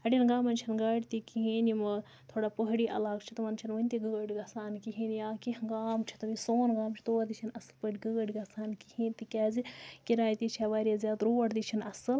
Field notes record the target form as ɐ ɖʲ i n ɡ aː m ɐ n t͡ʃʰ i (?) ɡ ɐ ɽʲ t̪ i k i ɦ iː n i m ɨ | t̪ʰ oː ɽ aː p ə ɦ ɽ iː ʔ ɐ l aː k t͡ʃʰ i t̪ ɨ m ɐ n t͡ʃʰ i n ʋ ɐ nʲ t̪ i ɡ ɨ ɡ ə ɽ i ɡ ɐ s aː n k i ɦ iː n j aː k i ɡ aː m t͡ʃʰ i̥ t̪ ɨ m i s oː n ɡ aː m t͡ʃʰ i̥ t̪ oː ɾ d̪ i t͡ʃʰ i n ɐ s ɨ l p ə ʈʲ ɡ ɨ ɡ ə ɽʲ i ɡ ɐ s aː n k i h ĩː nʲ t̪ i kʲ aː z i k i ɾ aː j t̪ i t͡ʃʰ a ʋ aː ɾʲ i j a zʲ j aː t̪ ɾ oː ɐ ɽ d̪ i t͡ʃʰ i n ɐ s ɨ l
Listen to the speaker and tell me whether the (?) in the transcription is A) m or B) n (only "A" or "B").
B